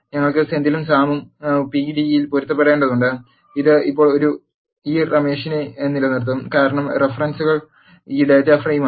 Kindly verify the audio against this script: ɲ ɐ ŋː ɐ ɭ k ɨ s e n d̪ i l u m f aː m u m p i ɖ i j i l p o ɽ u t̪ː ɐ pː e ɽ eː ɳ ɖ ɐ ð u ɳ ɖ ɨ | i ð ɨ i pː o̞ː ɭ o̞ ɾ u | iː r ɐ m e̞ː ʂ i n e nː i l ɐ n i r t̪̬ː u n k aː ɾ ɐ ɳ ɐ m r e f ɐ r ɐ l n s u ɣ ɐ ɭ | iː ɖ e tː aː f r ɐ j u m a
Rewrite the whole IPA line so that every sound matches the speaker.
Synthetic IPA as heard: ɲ ɐ ŋː ɐ ɭ k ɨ s e n d̪ i l u m s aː m u m p i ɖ i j i l p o ɾ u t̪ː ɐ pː e ɽ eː ɳ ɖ ɐ ð u ɳ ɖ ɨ | i ð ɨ i pː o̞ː ɭ o̞ ɾ u | iː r ɐ m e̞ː ʂ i n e nː i l ɐ n i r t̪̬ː u m k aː ɾ ɐ ɳ ɐ m r e f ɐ r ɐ n s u ɣ ɐ ɭ | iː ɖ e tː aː f r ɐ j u m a